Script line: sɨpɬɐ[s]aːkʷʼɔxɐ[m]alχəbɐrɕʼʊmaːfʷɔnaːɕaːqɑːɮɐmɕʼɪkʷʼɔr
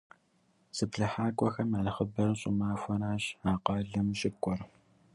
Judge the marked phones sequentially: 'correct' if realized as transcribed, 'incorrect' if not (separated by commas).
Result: incorrect, correct